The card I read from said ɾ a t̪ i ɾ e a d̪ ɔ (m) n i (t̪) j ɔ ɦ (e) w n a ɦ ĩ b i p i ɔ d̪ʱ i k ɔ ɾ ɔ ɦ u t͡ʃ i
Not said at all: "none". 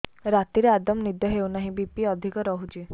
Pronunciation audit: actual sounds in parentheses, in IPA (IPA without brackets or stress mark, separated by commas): m, d̪, e